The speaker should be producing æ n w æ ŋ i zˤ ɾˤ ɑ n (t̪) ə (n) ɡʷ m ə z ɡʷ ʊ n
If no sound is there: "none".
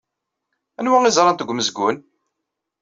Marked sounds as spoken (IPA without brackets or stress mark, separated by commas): t̪, none